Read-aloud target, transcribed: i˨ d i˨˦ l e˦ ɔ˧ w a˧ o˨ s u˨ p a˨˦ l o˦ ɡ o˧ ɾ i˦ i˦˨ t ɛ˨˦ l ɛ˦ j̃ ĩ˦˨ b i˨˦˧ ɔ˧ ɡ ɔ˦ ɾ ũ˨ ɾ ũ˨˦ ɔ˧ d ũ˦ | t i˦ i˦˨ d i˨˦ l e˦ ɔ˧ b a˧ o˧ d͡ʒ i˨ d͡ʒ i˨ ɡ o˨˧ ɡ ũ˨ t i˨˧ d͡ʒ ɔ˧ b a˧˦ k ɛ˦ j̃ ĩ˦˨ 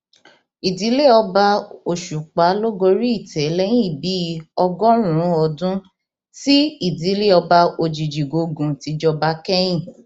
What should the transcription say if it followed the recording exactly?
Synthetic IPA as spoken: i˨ d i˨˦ l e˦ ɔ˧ b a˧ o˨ ʃ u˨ k͡p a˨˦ l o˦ ɡ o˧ ɾ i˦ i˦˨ t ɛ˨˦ l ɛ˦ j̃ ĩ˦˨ b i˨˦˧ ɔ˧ ɡ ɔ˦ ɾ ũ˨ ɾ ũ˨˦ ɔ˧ d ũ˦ | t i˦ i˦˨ d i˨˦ l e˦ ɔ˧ b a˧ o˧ d͡ʒ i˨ d͡ʒ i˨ ɡ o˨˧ ɡ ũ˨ t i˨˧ d͡ʒ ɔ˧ b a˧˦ k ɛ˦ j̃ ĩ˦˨

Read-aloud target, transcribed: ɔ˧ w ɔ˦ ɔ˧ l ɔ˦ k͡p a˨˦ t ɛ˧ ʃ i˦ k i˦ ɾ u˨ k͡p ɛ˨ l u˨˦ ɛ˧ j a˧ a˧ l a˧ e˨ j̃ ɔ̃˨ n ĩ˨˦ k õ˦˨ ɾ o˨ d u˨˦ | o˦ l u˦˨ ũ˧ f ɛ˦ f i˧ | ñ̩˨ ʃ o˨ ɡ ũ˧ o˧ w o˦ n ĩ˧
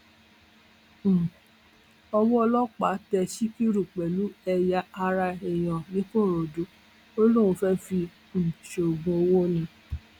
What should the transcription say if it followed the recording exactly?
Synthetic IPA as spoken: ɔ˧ w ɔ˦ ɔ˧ l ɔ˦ k͡p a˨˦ t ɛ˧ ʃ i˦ k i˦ ɾ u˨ k͡p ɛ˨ l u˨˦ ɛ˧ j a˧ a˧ ɾ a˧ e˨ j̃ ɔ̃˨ n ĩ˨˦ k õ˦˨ ɾ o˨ d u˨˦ | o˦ l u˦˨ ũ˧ f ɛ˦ f i˧ | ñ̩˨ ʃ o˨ ɡ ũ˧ o˧ w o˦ n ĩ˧

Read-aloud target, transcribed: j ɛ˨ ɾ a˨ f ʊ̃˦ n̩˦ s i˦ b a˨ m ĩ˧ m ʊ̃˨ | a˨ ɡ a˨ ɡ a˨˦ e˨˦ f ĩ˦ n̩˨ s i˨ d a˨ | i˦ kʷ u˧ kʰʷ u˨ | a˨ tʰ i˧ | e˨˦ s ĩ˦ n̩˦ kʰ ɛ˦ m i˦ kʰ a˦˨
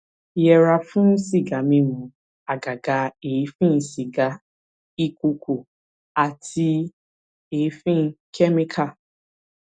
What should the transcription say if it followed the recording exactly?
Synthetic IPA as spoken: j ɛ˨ ɾ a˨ f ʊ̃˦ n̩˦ s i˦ ɡ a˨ m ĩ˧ m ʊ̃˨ | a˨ ɡ a˨ ɡ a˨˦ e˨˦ f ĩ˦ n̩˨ s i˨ ɡ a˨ | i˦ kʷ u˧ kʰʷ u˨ | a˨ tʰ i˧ | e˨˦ f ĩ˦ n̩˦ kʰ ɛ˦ m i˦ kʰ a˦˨

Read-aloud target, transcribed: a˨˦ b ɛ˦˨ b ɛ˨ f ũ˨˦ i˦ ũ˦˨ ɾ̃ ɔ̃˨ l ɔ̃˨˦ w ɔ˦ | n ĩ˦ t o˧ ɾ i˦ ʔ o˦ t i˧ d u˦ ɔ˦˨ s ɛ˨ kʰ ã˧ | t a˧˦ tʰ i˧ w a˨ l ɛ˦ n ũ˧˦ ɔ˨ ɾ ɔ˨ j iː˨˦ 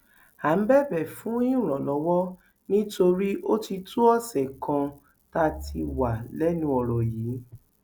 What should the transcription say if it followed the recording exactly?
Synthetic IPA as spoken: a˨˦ b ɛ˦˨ b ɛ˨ f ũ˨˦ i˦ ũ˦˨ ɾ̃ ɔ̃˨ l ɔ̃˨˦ w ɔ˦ | n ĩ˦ t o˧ ɾ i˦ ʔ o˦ t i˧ t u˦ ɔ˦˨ s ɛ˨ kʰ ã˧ | t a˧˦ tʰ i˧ w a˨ l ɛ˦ n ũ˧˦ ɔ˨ ɾ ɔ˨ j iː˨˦

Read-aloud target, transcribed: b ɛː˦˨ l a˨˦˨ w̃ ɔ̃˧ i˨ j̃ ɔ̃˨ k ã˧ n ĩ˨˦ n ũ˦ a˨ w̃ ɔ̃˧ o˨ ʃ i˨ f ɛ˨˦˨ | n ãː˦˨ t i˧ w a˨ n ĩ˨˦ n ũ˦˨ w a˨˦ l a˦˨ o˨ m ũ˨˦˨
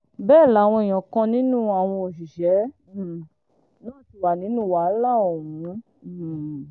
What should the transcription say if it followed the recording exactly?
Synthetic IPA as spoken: b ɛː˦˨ l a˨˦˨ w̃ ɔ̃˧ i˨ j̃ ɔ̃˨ k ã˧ n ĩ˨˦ n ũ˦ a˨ w̃ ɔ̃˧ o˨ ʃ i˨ ʃ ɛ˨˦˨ | n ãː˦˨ t i˧ w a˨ n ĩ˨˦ n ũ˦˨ w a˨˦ l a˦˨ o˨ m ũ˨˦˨

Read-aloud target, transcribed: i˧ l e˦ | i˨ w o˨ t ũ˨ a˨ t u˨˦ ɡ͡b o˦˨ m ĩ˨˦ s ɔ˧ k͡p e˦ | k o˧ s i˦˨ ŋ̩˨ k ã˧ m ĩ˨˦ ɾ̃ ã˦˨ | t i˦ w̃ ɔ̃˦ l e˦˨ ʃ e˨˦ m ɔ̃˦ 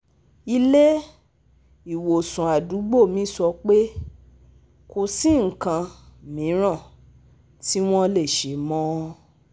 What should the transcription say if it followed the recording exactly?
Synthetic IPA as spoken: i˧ l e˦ | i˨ w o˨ s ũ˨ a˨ d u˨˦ ɡ͡b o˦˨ m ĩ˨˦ s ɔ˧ k͡p e˦ | k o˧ s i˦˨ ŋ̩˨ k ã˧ m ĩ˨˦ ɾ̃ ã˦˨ | t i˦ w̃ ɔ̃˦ l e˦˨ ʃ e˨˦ m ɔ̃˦

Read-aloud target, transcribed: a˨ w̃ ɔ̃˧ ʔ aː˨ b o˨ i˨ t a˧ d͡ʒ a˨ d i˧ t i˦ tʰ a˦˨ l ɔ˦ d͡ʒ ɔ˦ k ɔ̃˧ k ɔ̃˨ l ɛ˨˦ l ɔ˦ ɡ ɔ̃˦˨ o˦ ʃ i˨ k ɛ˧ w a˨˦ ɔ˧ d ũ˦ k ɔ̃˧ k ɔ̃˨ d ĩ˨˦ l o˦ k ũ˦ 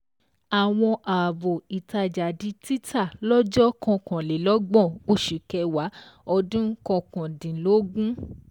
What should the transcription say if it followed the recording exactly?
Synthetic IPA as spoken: a˨ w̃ ɔ̃˧ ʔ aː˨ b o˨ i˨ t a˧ d͡ʒ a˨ d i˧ t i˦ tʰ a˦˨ l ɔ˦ d͡ʒ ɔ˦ k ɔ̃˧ k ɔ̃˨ l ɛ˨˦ l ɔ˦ ɡ͡b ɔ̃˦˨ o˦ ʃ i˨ k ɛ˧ w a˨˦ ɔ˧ d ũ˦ k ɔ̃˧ k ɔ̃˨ d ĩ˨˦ l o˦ ɡ ũ˦

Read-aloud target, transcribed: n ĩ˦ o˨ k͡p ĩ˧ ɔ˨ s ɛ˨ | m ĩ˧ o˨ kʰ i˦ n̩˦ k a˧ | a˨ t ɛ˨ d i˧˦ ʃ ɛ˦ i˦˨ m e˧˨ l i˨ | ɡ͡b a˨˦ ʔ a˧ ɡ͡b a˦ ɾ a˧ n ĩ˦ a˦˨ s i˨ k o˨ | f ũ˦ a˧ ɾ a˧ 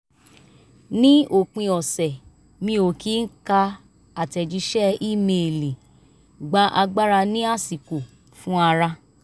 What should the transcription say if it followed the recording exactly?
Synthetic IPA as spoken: n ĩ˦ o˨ k͡p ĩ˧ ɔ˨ s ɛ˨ | m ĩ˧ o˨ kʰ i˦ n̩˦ k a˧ | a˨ t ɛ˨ d͡ʒ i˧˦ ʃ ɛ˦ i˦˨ m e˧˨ l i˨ | ɡ͡b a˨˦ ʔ a˧ ɡ͡b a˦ ɾ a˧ n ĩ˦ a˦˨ s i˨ k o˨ | f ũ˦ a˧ ɾ a˧

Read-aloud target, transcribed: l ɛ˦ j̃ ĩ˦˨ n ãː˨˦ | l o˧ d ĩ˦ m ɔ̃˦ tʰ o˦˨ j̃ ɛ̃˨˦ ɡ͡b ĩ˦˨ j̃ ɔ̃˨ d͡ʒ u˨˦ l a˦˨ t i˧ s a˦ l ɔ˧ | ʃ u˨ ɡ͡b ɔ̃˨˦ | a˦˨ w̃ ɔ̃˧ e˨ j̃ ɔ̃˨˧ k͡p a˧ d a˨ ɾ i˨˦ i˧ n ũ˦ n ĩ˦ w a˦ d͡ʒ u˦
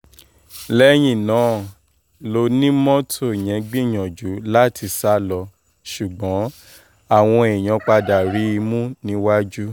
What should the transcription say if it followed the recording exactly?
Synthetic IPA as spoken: l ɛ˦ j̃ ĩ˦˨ n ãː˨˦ | l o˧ n ĩ˦ m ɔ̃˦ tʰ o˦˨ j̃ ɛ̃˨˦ ɡ͡b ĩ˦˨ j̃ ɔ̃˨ d͡ʒ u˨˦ l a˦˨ t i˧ s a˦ l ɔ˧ | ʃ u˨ ɡ͡b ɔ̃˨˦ | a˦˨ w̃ ɔ̃˧ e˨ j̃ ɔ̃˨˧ k͡p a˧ d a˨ ɾ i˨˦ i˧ m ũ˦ n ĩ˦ w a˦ d͡ʒ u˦

